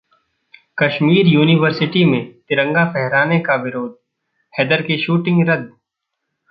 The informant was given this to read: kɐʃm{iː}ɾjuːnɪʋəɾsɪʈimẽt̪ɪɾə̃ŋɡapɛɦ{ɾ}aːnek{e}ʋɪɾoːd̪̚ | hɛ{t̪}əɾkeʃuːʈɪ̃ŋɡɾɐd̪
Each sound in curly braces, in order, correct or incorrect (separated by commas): correct, correct, incorrect, incorrect